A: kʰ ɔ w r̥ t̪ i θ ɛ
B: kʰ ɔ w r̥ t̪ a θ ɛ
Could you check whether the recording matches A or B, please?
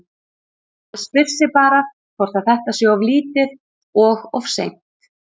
B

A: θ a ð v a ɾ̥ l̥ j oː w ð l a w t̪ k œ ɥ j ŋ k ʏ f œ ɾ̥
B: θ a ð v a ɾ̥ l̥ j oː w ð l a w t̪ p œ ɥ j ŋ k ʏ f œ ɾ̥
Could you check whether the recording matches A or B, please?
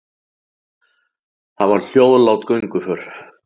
A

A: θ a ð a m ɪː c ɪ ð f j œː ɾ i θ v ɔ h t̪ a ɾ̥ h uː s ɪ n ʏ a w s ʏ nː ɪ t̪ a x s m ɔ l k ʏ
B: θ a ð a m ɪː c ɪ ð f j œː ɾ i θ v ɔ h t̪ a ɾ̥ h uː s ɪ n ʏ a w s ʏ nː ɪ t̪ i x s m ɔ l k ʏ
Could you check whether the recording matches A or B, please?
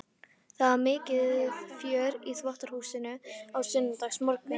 A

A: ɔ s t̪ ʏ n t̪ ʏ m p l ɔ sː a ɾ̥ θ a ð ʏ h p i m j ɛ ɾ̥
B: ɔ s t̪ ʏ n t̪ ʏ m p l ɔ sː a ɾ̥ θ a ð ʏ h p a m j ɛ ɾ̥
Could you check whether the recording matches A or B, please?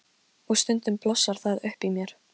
A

